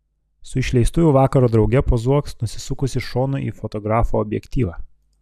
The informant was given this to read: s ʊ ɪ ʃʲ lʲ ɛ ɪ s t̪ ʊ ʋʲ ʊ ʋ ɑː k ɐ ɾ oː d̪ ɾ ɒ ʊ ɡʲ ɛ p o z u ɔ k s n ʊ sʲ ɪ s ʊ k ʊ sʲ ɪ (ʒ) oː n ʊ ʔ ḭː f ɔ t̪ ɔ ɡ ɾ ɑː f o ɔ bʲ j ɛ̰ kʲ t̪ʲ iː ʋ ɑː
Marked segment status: incorrect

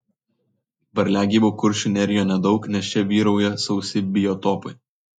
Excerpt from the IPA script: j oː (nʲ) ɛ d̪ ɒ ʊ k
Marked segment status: correct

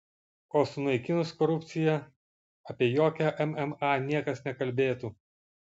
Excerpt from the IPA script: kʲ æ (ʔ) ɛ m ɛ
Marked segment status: correct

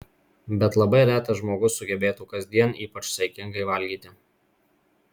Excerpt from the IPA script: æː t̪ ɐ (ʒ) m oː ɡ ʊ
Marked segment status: correct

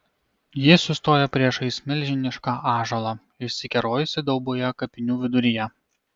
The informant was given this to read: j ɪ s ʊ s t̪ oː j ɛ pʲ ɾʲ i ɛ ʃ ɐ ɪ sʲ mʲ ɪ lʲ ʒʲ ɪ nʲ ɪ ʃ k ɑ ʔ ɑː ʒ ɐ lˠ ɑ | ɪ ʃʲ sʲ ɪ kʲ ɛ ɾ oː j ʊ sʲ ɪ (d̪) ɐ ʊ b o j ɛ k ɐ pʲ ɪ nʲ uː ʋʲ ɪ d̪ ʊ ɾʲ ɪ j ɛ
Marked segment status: correct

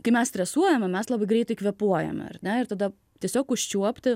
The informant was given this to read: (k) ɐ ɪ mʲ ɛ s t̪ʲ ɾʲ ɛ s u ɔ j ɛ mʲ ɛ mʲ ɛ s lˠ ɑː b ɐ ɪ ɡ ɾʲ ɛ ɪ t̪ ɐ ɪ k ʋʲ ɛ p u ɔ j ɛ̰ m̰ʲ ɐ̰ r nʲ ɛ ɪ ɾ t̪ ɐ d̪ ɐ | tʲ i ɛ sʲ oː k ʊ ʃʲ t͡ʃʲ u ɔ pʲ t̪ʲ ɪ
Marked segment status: correct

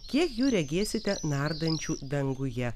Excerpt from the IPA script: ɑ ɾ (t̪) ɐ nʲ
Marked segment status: incorrect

